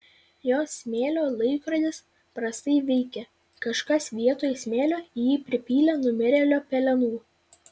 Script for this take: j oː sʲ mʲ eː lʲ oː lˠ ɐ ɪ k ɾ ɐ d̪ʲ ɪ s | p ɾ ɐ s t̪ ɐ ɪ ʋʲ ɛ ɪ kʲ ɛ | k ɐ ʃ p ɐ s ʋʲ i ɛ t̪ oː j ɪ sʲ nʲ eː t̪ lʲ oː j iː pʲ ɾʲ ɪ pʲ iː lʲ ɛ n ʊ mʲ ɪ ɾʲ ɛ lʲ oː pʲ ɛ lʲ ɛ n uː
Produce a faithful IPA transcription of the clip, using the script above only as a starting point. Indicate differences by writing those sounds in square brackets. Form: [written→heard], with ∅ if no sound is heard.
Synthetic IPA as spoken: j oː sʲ mʲ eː lʲ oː lˠ ɐ ɪ k ɾ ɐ d̪ʲ ɪ s | p ɾ ɐ s t̪ ɐ ɪ ʋʲ ɛ ɪ kʲ ɛ | k ɐ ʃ [p→k] ɐ s ʋʲ i ɛ t̪ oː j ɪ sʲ [nʲ→mʲ] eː [t̪→∅] lʲ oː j iː pʲ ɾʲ ɪ pʲ iː lʲ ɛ n ʊ mʲ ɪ ɾʲ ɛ lʲ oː pʲ ɛ lʲ ɛ n uː